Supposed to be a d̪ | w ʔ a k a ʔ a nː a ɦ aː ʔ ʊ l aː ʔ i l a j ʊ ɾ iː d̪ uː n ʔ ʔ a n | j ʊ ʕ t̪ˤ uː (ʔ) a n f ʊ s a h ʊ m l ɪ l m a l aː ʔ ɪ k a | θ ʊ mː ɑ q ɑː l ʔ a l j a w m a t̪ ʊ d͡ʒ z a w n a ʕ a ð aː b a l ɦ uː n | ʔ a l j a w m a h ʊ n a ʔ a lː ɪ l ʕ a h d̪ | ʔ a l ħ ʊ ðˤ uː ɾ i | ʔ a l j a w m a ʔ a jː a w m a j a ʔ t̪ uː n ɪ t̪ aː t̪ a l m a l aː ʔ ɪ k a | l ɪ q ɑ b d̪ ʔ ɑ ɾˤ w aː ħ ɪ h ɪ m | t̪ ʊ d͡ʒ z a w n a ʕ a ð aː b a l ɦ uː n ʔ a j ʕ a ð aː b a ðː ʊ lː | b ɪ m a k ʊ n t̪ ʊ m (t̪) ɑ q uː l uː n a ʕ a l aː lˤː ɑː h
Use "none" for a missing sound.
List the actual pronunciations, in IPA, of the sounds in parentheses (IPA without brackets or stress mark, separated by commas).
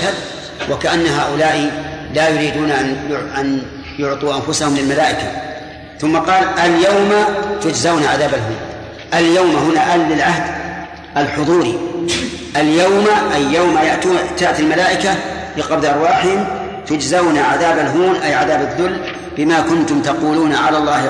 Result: ʔ, t̪